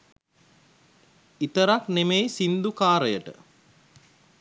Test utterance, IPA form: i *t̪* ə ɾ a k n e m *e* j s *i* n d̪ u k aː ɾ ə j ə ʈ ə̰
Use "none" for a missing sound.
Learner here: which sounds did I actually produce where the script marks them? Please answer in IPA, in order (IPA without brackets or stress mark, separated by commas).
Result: t̪, e, i